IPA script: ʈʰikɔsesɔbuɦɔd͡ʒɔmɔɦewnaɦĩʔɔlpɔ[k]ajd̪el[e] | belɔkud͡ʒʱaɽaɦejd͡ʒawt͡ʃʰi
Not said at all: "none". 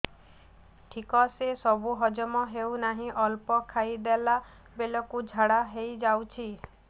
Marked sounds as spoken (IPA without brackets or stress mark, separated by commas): kʰ, a